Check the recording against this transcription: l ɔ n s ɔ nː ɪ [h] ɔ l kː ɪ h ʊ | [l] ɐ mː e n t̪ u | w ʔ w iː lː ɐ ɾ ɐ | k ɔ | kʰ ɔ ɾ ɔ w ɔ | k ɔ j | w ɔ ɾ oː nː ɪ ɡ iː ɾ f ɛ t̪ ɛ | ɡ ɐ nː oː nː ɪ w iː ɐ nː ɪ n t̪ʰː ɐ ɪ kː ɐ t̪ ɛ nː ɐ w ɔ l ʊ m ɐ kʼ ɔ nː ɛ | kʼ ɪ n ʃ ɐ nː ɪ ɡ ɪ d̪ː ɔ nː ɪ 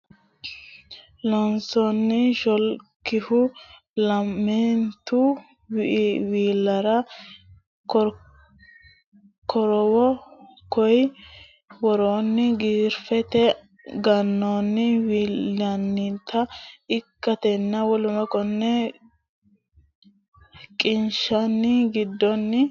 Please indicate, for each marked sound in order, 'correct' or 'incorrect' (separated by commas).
incorrect, correct